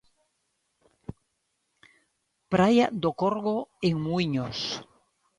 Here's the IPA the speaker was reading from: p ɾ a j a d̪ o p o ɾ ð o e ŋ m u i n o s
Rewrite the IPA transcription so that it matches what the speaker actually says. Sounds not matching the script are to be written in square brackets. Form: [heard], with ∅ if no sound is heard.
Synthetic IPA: p ɾ a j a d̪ o [k] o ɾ [ɣ] o e ŋ m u i [ɲ] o s

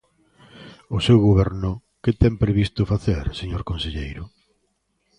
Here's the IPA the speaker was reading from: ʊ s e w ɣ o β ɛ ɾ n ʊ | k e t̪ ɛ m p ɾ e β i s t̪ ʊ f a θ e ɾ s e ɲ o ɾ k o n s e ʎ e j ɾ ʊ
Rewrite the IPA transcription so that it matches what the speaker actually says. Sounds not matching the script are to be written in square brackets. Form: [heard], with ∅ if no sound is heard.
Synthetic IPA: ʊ s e w ɣ o β ɛ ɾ n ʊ | k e t̪ ɛ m p ɾ e β i s t̪ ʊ f a θ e ɾ s e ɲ o ɾ k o n s e ʎ e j ɾ ʊ

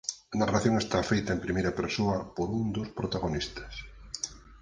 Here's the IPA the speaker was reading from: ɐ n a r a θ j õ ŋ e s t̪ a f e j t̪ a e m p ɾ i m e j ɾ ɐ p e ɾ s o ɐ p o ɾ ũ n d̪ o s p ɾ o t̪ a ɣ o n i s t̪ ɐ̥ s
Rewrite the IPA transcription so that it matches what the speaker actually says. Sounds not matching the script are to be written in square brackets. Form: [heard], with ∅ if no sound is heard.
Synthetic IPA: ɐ n a r a θ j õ ŋ e s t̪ a f e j t̪ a e m p ɾ i m e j ɾ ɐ p e ɾ s o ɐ p o ɾ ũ n d̪ o s p ɾ o t̪ a ɣ o n i s t̪ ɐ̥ s

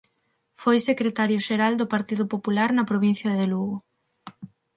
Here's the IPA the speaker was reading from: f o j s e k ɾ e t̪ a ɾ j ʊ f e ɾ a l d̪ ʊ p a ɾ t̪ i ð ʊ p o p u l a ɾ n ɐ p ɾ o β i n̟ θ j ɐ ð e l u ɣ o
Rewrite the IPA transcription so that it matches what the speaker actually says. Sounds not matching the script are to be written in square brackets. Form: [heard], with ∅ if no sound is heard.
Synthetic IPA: f o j s e k ɾ e t̪ a ɾ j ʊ [ʃ] e ɾ a l d̪ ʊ p a ɾ t̪ i ð ʊ p o p u l a ɾ n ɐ p ɾ o β i n̟ θ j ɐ ð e l u ɣ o

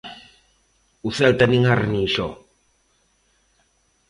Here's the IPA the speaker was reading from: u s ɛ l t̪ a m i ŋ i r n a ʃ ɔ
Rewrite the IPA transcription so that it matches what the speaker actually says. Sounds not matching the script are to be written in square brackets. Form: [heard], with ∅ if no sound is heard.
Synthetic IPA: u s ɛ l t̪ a [n] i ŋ [a] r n [i] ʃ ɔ

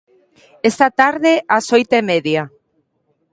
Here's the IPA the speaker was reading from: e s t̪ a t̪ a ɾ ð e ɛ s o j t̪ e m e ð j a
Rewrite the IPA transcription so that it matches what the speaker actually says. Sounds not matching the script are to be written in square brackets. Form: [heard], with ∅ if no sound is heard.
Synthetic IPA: e s t̪ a t̪ a ɾ ð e [a] s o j t̪ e m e ð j a

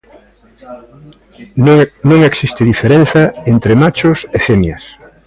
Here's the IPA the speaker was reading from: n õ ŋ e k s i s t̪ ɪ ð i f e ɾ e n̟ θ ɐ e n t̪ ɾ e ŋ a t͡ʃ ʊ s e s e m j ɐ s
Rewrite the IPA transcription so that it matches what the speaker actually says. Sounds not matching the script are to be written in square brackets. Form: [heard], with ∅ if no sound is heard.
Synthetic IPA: n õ ŋ e k s i s t̪ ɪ ð i f e ɾ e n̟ θ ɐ e n t̪ ɾ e [m] a t͡ʃ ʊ s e [f] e m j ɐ s

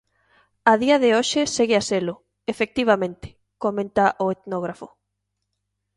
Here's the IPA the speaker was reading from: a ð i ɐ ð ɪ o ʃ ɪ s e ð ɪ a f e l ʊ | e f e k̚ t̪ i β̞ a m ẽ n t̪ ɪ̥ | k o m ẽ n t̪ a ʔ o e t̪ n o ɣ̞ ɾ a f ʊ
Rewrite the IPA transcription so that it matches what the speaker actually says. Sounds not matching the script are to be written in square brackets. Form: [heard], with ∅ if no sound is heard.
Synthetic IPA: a ð i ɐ ð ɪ o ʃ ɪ s e [ɣ] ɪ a [s] e l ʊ | e f e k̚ t̪ i β̞ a m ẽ n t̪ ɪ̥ | k o m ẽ n t̪ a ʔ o e t̪ n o ɣ̞ ɾ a f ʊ

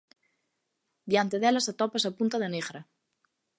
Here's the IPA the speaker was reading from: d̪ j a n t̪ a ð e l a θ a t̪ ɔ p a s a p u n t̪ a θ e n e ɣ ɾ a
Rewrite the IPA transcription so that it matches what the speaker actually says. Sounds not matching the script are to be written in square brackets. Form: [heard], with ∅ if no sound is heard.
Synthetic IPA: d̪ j a n t̪ [e] ð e l a [s] a t̪ ɔ p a s a p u n t̪ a [ð] e n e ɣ ɾ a

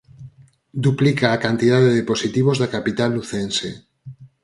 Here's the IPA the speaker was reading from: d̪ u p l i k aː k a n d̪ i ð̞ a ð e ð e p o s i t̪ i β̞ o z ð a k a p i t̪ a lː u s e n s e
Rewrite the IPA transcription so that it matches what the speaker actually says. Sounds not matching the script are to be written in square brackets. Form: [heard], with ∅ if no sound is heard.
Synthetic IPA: d̪ u p l i k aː k a n [t̪] i ð̞ a ð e ð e p o s i t̪ i β̞ o z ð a k a p i t̪ a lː u [θ] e n s e

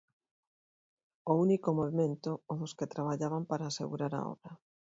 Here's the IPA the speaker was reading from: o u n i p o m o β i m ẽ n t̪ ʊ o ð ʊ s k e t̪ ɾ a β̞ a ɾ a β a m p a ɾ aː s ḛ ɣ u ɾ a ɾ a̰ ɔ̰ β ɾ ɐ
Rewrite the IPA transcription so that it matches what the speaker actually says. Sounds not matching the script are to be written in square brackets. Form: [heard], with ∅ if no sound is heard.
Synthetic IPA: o u n i [k] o m o β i m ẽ n t̪ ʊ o ð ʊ s k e t̪ ɾ a β̞ a [ʎ] a β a m p a ɾ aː s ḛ ɣ u ɾ a ɾ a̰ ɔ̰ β ɾ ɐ

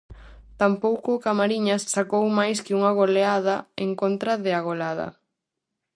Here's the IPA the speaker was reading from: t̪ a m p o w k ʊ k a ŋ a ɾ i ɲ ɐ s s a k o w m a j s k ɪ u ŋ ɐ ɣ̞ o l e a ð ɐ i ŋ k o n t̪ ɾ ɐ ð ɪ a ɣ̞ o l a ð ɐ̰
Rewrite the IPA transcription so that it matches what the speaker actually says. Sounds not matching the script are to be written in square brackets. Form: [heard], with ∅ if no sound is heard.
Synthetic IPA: t̪ a m p o w k ʊ k a [m] a ɾ i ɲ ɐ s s a k o w m a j s k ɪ u ŋ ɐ ɣ̞ o l e a ð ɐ [e] ŋ k o n t̪ ɾ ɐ ð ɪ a ɣ̞ o l a ð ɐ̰

